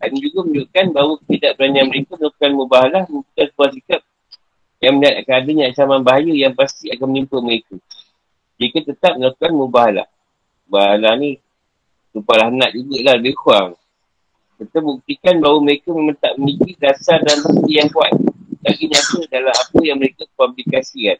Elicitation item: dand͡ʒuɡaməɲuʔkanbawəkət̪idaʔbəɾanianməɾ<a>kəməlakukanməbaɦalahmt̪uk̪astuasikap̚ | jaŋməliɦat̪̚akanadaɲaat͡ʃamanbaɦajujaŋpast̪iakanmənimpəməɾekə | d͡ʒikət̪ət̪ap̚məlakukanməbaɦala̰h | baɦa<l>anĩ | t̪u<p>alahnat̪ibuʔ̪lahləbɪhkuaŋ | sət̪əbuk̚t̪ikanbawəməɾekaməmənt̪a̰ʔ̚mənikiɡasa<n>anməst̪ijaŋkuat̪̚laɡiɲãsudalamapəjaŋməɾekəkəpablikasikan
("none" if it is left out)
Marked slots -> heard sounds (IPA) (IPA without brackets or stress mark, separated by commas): e, l, p, d